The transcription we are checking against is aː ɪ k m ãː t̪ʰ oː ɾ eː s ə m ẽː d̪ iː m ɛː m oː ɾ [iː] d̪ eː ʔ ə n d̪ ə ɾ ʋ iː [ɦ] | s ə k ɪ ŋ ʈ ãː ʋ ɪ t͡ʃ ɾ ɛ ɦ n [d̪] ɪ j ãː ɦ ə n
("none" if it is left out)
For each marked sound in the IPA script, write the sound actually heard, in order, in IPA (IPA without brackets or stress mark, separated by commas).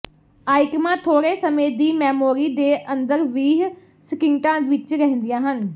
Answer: iː, ɦ, d̪